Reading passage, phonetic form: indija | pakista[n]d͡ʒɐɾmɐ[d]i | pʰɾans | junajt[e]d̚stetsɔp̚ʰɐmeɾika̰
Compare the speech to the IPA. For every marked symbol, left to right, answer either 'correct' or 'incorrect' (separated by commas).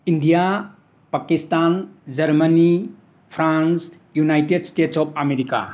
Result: correct, incorrect, correct